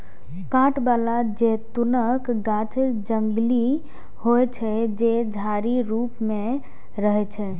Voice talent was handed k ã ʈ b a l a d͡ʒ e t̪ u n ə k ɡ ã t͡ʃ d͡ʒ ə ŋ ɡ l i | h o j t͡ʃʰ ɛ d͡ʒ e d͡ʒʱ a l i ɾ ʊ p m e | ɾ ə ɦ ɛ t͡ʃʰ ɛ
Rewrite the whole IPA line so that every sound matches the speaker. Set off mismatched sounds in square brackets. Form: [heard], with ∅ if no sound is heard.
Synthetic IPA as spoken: k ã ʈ b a l a d͡ʒ e t̪ u n ə k ɡ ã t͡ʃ d͡ʒ ə ŋ ɡ l i | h o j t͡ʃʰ ɛ d͡ʒ e d͡ʒʱ a [ɾ] i ɾ [u] p m e | ɾ ə ɦ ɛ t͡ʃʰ ɛ